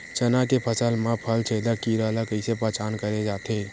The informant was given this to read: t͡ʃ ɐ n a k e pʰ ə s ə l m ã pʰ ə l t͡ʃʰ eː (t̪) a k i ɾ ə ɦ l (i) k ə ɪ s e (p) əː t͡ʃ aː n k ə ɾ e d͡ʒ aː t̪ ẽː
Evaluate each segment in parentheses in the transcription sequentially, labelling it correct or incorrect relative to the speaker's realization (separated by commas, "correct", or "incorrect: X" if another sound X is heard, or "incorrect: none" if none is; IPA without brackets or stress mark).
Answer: incorrect: d̪, incorrect: a, correct